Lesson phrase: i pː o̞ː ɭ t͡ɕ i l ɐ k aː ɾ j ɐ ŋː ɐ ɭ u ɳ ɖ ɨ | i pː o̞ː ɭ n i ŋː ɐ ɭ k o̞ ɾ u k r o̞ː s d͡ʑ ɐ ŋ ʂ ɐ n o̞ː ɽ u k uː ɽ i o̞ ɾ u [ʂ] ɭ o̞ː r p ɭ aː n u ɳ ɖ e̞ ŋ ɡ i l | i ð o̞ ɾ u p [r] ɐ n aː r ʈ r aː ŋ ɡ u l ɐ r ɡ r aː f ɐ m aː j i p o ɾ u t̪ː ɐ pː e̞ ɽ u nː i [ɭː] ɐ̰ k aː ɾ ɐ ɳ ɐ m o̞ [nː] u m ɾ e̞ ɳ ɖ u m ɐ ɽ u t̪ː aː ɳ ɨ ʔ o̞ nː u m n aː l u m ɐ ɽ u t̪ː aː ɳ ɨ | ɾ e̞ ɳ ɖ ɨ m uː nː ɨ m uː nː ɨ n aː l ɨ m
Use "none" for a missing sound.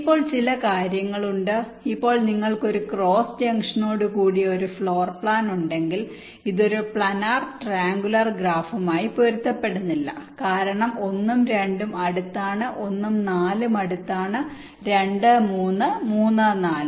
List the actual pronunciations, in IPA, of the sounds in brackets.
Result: f, ɭ, lː, nː

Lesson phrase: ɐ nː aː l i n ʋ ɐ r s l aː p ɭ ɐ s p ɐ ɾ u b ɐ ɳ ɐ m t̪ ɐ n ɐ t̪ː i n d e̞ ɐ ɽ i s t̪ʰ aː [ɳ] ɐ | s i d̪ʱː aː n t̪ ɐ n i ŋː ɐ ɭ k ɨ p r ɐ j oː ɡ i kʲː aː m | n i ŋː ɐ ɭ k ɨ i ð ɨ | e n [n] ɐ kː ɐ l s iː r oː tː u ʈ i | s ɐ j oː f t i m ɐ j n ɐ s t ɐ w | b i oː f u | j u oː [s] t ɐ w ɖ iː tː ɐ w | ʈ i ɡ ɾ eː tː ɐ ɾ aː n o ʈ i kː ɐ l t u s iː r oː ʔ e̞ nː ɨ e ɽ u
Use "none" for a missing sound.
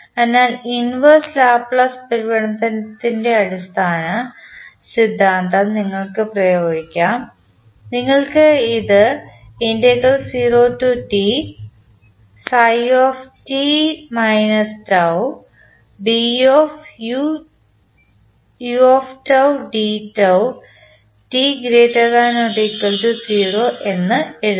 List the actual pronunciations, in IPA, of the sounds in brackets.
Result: n, d, f

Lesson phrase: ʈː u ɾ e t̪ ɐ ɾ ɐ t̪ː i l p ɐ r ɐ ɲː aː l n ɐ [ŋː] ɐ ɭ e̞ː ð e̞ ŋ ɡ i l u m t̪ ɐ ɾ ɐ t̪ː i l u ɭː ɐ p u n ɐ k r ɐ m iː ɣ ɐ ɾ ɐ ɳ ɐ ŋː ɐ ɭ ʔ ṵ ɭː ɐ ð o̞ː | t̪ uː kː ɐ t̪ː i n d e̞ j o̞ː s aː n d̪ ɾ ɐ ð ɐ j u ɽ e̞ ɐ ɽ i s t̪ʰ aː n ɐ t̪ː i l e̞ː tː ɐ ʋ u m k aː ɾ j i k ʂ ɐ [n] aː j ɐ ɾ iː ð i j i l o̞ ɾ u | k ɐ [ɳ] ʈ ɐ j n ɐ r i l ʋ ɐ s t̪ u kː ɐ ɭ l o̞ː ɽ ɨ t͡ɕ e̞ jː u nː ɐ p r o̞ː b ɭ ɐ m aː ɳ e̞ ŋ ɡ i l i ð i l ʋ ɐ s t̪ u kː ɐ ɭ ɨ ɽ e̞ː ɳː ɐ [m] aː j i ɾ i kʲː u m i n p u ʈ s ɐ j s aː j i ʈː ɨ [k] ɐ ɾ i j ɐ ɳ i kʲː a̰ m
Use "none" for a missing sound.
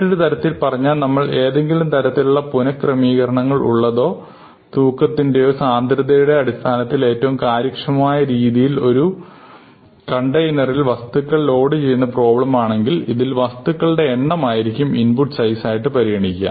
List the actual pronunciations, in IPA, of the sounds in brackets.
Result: mː, m, ɳ, m, p

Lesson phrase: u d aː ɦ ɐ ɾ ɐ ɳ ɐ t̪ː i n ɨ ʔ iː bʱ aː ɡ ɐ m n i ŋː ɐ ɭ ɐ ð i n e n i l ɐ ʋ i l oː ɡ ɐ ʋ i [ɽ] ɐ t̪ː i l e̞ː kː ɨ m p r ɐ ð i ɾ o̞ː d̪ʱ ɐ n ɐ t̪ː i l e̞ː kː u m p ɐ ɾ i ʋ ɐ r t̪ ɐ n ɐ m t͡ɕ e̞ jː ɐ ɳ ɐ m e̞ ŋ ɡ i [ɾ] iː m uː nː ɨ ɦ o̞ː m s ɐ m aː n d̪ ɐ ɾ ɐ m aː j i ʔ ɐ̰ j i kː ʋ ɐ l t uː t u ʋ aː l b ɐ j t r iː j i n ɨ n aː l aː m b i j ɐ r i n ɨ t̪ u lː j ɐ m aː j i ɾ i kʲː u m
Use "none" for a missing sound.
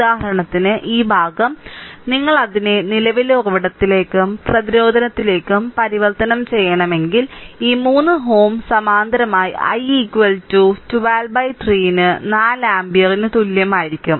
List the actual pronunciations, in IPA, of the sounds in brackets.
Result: ɽ, l

